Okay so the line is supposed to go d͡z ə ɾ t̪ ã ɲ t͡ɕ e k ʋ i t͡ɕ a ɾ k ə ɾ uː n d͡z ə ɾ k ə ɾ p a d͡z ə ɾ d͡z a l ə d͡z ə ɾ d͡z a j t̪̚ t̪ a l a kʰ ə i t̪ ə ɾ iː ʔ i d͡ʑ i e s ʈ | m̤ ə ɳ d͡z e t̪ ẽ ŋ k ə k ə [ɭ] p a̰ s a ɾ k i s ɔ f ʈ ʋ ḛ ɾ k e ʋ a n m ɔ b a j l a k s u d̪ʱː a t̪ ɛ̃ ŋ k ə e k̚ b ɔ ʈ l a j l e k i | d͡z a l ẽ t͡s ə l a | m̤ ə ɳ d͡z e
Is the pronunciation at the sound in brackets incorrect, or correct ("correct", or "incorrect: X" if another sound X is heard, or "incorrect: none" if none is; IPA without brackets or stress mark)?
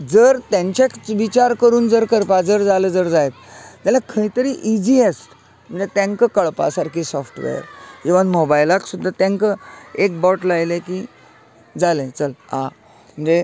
correct